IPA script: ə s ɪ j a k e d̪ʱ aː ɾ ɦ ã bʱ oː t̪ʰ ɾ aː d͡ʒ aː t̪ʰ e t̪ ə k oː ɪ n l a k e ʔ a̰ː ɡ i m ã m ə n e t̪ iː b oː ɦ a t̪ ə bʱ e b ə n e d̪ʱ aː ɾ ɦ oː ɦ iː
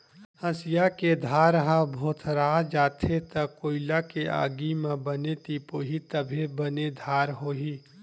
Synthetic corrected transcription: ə s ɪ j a k e d̪ʱ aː ɾ ɦ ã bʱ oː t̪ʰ ɾ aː d͡ʒ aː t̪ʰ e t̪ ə k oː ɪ l a k e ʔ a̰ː ɡ i m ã b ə n e t̪ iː p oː ɦ i t̪ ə bʱ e b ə n e d̪ʱ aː ɾ ɦ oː ɦ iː